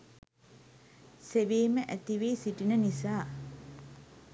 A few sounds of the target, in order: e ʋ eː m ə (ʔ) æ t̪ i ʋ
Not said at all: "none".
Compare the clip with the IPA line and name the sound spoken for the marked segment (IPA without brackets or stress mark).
ʔ